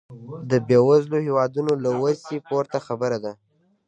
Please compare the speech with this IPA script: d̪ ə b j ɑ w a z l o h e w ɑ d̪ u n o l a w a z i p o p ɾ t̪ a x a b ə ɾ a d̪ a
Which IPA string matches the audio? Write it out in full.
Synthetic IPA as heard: d̪ ə b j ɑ w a z l o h e w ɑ d̪ u n o l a w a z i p o ɾ t̪ a x a b ə ɾ a d̪ a